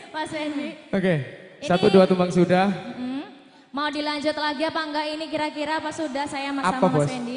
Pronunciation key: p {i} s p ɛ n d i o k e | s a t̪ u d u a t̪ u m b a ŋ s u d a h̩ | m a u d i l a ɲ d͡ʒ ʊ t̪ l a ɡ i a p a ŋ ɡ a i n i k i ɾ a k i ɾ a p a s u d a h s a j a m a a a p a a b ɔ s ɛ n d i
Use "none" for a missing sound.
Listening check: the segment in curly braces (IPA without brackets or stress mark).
a